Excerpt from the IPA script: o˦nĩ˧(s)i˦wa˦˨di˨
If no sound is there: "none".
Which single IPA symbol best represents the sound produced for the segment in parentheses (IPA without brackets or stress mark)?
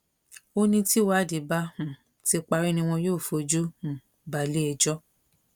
t